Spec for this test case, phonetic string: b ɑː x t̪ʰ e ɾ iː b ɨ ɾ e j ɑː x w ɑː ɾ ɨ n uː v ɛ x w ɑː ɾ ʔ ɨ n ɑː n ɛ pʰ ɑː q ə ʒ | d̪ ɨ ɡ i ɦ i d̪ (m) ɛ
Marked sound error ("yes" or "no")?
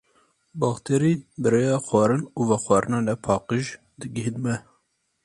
no